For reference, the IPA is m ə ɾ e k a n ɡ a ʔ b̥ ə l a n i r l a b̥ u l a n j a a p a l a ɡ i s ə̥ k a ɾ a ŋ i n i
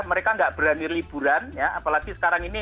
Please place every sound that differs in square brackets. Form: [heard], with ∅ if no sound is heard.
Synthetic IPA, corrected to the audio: m ə ɾ e k a [ŋ] ɡ a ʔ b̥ ə [ɾ] a n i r l [i] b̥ u [ɾ] a n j a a p a l a ɡ i s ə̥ k a ɾ a ŋ i n i